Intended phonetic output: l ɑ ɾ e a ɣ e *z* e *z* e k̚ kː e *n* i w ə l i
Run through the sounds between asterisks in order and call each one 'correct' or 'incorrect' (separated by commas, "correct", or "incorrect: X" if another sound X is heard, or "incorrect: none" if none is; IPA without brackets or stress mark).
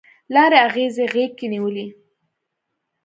correct, incorrect: ɣ, correct